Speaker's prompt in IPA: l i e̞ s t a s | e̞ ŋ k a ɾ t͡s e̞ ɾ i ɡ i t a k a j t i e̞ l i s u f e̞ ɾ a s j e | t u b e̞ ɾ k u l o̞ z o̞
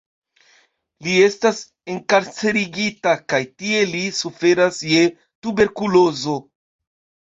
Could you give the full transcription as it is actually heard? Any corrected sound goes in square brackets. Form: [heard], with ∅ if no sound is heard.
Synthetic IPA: l i e̞ s t a s | e̞ ŋ k a ɾ t͡s e̞ ɾ i ɡ i t a k a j t i e̞ l i s u f e̞ ɾ a s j e | t u b e̞ ɾ k u l o̞ z o̞